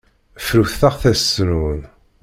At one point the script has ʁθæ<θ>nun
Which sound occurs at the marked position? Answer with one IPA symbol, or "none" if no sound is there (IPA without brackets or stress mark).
s